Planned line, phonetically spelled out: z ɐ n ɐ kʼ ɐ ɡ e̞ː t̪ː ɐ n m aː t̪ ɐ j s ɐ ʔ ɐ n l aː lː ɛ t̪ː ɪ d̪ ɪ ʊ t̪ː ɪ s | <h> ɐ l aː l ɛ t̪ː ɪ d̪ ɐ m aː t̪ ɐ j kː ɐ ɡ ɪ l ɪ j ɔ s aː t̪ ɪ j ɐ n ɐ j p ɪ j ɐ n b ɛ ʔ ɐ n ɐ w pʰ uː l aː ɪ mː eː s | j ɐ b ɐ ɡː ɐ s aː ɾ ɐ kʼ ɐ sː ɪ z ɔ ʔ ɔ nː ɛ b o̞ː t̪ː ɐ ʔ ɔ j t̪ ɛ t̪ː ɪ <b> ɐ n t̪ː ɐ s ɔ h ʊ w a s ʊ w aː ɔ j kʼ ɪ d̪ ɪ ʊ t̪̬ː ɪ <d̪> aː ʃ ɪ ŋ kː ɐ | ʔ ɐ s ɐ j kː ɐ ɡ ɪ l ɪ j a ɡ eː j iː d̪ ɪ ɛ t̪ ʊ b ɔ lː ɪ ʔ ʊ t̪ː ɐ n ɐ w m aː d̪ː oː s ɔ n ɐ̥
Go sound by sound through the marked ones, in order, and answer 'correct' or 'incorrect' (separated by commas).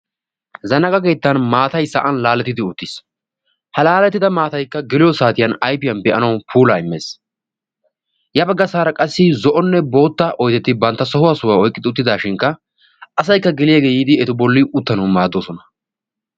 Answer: correct, correct, correct